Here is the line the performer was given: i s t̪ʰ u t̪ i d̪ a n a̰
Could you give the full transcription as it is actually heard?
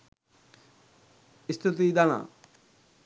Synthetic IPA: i s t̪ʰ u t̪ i d̪ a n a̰

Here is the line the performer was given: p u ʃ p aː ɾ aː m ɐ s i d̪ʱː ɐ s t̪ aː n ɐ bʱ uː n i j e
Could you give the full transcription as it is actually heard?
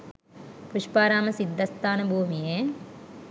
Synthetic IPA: p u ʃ p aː ɾ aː m ɐ s i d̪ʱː ɐ s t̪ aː n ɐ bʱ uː m i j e

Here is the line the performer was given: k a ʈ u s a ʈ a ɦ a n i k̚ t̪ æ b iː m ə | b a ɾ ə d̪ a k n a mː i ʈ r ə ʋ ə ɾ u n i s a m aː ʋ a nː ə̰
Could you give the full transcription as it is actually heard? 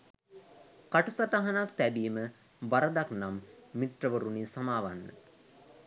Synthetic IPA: k a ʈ u s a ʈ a ɦ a n a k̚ t̪ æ b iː m ə | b a ɾ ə d̪ a k n a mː i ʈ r ə ʋ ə ɾ u n i s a m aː ʋ a nː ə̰

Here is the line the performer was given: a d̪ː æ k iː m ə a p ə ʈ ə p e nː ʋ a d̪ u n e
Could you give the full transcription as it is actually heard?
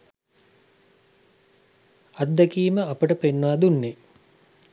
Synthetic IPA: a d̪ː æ k iː m ə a p ə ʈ ə p e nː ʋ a d̪ u nː e

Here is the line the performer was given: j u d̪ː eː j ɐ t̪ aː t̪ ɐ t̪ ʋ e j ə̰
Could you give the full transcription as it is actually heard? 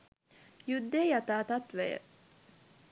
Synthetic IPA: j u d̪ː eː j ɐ t̪ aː t̪ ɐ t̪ ʋ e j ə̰

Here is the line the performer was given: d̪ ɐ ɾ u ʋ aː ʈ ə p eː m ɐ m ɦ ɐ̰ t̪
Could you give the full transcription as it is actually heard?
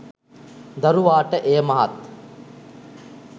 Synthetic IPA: d̪ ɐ ɾ u ʋ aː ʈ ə ʔ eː m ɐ ɦ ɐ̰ t̪

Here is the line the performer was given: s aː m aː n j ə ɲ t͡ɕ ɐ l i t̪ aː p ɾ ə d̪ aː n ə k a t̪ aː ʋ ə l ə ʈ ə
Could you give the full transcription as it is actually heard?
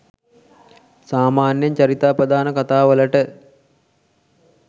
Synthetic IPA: s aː m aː n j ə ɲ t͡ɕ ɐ ɾ i t̪ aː p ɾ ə d̪ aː n ə k a t̪ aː ʋ ə l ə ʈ ə

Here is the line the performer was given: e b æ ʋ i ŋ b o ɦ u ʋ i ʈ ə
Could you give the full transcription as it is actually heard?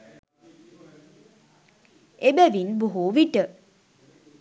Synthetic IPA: e b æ ʋ i n b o ɦ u ʋ i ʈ ə

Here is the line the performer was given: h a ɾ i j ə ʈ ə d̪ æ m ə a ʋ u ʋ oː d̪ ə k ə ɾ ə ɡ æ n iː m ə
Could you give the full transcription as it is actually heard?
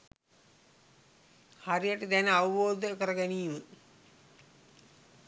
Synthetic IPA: h a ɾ i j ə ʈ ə d̪ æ n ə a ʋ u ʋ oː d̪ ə k ə ɾ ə ɡ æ n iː m ə

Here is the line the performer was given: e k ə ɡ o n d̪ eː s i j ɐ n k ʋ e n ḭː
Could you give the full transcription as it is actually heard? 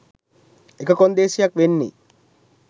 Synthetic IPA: e k ə k o n d̪ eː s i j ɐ k ʋ e nː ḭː

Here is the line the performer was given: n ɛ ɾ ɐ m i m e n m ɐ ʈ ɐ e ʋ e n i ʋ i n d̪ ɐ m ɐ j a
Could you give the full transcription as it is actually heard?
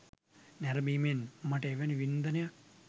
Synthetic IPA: n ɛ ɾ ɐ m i m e n m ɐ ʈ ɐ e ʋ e n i ʋ i n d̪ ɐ n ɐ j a

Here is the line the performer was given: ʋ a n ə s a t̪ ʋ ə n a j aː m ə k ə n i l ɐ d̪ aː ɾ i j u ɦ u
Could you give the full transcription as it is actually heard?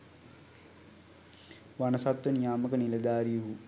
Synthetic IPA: ʋ a n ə s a t̪ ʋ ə n i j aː m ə k ə n i l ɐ d̪ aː ɾ i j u ɦ u

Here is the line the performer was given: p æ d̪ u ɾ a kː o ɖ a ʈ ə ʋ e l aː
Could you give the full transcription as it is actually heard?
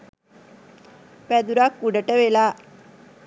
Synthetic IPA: p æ d̪ u ɾ a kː u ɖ ə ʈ ə ʋ e l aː

